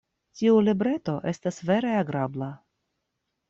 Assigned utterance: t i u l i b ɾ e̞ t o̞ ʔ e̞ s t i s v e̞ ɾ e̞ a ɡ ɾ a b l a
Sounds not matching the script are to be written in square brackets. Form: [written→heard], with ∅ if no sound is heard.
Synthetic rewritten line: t i u l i b ɾ e̞ t o̞ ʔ e̞ s t [i→a] s v e̞ ɾ e̞ a ɡ ɾ a b l a

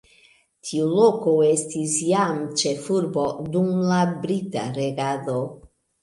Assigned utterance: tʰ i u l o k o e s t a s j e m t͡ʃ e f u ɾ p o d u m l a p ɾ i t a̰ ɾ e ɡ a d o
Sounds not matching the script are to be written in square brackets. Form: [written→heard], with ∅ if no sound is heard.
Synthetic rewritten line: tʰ i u l o k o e s t [a→i] s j [e→a] m t͡ʃ e f u ɾ [p→b] o d u m l a [p→b] ɾ i t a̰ ɾ e ɡ a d o

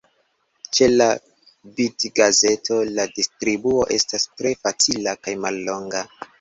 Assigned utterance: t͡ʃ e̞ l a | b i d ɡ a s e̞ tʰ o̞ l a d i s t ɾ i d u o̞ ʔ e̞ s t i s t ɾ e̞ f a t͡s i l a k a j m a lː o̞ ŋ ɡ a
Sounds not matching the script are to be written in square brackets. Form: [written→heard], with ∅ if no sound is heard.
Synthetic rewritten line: t͡ʃ e̞ l a | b i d ɡ a [s→z] e̞ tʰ o̞ l a d i s t ɾ i [d→b] u o̞ ʔ e̞ s t [i→a] s t ɾ e̞ f a t͡s i l a k a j m a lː o̞ ŋ ɡ a

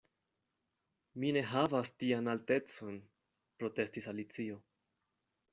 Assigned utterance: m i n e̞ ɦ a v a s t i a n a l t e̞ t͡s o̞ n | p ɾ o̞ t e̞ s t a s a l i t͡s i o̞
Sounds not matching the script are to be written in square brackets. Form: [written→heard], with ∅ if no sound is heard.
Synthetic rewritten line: m i n e̞ ɦ a v a s t i a n a l t e̞ t͡s o̞ n | p ɾ o̞ t e̞ s t [a→i] s a l i t͡s i o̞

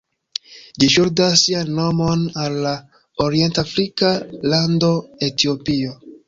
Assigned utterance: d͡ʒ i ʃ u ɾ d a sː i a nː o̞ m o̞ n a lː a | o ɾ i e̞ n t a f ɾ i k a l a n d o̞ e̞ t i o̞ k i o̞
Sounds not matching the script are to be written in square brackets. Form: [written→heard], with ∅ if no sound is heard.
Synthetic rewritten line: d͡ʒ i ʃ u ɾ d a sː i a nː o̞ m o̞ n a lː a | o ɾ i e̞ n t a f ɾ i k a l a n d o̞ e̞ t i o̞ [k→p] i o̞

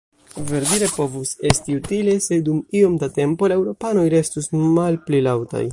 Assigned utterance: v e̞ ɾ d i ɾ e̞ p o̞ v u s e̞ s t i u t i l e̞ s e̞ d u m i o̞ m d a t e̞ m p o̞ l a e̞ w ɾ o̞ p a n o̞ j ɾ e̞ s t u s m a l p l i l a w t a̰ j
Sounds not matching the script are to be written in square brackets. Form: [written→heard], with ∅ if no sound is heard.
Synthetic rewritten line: v e̞ ɾ d i ɾ e̞ p o̞ v u s e̞ s t i u t i l e̞ s e̞ d u m i o̞ m d a t e̞ m p o̞ l a e̞ w ɾ o̞ p a n o̞ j ɾ e̞ s t u s m a l p l i l a w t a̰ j

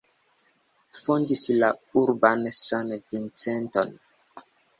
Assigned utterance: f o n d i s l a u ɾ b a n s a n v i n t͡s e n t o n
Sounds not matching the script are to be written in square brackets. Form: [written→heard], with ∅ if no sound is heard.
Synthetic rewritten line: f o n d i s l a u ɾ b a n s a n v i n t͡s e n t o n

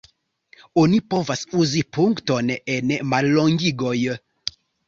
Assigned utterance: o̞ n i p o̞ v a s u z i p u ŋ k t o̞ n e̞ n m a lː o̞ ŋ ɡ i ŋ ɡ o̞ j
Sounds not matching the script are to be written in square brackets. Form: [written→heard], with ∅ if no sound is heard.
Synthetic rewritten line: o̞ n i p o̞ v a s u z i p u ŋ k t o̞ n e̞ n m a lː o̞ ŋ ɡ i [ŋ→∅] ɡ o̞ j

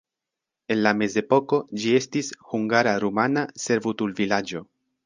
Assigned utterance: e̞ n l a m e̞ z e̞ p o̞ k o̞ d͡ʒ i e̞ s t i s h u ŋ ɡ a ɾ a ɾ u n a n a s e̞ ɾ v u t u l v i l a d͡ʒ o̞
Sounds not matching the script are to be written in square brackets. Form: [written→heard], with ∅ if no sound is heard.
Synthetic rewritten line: e̞ n l a m e̞ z e̞ p o̞ k o̞ d͡ʒ i e̞ s t i s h u ŋ ɡ a ɾ a ɾ u [n→m] a n a s e̞ ɾ v u t u l v i l a d͡ʒ o̞

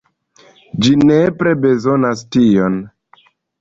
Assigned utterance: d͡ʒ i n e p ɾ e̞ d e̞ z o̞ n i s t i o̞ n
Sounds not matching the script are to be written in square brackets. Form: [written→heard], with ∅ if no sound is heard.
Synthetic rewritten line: d͡ʒ i n e p ɾ e̞ [d→b] e̞ z o̞ n [i→a] s t i o̞ n

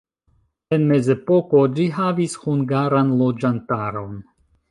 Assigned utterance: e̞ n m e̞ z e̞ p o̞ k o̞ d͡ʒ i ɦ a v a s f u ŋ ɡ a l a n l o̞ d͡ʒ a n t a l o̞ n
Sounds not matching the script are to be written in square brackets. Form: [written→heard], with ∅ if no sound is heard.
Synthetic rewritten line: e̞ n m e̞ z e̞ p o̞ k o̞ d͡ʒ i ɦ a v [a→i] s [f→h] u ŋ ɡ a [l→ɾ] a n l o̞ d͡ʒ a n t a [l→ɾ] o̞ n

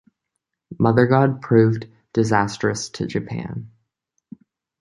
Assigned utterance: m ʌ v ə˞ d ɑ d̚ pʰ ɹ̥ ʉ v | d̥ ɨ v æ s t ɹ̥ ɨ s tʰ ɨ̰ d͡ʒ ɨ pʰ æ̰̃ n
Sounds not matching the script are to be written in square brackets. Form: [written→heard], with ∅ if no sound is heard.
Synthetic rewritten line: m ʌ [v→ð] ə˞ [d→ɡ] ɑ d̚ pʰ ɹ̥ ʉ v | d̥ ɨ [v→z] æ s t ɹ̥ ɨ s tʰ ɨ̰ d͡ʒ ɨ pʰ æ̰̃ n

